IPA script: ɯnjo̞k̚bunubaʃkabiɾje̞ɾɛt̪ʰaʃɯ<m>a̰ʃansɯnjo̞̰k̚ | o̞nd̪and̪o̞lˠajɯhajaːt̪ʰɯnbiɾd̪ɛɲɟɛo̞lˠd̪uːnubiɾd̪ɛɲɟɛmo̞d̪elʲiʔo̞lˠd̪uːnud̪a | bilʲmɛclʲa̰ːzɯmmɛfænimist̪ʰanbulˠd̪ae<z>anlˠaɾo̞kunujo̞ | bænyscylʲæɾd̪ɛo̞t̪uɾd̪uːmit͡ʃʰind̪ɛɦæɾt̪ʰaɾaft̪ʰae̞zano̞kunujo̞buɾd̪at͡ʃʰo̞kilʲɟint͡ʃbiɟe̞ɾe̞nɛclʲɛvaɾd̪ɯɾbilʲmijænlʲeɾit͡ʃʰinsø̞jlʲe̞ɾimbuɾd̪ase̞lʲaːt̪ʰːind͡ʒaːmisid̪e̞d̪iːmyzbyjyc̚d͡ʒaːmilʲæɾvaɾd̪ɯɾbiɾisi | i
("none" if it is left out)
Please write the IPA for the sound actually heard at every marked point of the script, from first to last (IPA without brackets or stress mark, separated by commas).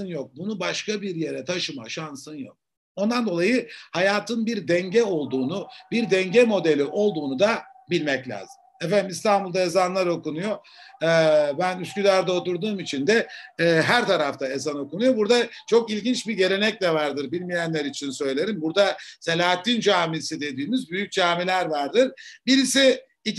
m, z